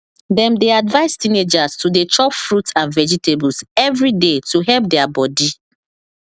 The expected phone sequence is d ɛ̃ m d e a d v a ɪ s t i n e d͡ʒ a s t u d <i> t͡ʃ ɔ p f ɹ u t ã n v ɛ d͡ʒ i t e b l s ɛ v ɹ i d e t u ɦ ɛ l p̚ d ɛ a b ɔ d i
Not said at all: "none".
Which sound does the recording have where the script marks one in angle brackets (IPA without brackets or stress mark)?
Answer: e